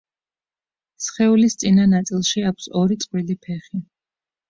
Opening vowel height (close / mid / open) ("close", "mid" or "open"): mid